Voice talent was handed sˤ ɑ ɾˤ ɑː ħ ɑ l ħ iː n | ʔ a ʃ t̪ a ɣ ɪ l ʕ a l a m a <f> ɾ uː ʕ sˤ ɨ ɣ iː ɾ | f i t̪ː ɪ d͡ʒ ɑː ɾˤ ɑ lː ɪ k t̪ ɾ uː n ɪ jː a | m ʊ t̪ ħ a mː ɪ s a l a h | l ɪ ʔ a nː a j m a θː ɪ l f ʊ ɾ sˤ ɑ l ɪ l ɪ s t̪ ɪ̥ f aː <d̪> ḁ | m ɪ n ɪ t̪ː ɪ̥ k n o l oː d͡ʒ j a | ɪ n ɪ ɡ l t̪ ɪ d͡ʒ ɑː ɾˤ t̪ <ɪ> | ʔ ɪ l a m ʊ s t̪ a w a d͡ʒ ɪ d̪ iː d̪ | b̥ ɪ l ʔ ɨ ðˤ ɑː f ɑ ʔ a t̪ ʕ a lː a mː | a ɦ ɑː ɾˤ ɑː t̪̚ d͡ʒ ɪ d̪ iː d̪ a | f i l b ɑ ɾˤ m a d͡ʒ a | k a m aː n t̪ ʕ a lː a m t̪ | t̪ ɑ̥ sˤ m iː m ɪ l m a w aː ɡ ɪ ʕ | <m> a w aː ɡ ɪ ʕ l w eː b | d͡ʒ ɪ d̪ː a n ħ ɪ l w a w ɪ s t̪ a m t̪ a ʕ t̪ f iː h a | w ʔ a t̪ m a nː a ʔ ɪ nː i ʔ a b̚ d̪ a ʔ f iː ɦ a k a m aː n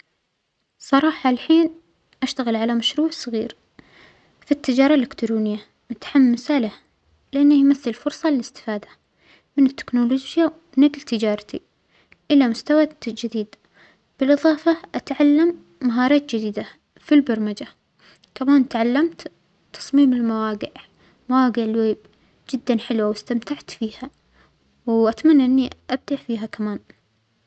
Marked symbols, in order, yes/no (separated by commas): no, yes, no, yes